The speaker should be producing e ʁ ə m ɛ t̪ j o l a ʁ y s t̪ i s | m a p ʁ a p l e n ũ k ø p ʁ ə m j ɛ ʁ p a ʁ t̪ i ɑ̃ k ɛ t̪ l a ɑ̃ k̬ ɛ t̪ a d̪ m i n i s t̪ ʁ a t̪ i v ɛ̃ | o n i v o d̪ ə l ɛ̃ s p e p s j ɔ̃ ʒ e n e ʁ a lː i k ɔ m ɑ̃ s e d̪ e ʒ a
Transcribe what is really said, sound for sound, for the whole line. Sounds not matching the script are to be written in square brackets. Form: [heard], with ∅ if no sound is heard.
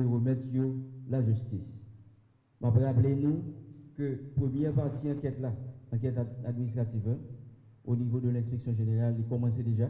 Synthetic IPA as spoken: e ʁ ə m ɛ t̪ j o l a [ʒ] y s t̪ i s | m a p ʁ a p l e n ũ k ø p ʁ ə m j ɛ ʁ p a ʁ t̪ i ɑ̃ k ɛ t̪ l a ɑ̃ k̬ ɛ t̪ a d̪ m i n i s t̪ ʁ a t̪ i v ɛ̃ | o n i v o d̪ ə l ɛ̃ s p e [k] s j ɔ̃ ʒ e n e ʁ a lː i k ɔ m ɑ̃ s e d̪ e ʒ a